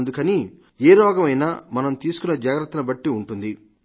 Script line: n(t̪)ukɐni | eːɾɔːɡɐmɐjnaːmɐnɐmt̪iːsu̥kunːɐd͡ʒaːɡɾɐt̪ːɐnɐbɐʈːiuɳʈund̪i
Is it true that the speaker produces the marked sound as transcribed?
no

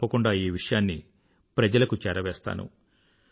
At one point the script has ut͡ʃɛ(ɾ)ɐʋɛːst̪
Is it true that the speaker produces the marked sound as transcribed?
yes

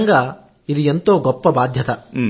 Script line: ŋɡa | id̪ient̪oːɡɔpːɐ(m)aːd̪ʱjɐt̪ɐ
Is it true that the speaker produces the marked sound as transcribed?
no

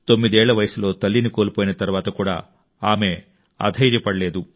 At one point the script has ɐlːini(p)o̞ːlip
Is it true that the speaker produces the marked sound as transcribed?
no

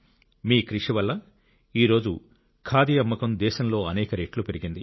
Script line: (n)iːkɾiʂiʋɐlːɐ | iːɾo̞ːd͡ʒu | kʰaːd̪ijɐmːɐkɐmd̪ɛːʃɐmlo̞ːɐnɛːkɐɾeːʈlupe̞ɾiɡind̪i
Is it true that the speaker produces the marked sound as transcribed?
no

